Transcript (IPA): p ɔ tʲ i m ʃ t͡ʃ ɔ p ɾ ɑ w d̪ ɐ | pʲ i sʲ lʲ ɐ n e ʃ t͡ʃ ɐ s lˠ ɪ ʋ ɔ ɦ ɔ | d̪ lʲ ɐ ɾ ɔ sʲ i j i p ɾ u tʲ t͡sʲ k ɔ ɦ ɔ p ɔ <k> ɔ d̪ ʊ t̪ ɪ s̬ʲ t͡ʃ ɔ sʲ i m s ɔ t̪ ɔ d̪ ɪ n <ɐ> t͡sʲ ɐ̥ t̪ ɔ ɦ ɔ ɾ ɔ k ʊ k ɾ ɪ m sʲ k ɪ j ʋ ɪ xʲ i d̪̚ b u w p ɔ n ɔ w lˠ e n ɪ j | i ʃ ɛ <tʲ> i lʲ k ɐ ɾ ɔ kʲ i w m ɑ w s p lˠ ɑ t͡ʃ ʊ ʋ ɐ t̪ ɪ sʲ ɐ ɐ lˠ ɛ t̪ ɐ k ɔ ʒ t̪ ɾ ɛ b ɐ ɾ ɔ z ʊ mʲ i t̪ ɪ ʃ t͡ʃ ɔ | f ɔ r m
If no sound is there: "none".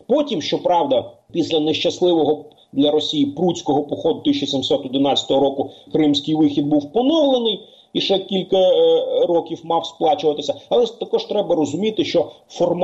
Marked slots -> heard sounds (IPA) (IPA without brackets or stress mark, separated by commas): x, ɑ, kʲ